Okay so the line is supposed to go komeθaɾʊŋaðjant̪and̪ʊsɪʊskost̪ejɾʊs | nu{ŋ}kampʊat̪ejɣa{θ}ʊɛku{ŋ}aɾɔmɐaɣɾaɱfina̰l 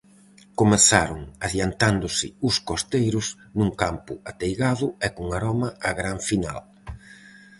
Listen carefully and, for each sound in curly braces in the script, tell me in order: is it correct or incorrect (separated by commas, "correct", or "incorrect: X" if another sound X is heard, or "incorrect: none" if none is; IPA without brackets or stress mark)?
correct, incorrect: ð, correct